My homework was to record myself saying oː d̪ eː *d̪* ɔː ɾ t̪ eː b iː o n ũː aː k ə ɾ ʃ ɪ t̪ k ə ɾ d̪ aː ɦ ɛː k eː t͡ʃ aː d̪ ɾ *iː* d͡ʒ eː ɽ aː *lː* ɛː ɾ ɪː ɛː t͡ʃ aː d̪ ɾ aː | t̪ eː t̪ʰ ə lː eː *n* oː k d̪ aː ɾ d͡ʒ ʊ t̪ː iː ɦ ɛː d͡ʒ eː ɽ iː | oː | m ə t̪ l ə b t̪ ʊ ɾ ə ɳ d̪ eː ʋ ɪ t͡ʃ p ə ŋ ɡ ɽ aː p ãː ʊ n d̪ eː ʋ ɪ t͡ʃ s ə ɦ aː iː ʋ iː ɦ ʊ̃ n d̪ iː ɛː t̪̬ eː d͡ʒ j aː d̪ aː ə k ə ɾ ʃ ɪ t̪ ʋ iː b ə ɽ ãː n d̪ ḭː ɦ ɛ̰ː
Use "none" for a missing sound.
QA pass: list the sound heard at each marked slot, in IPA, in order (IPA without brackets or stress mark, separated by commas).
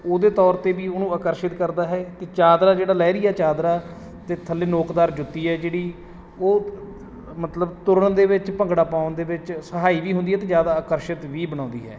t̪, aː, l, n